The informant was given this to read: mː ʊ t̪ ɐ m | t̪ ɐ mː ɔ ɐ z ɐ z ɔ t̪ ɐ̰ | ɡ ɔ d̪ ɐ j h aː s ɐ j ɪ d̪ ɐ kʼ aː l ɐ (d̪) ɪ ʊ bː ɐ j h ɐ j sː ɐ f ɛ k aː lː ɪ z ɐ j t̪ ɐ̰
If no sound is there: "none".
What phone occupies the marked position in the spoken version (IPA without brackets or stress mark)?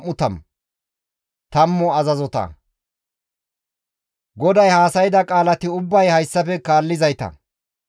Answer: t̪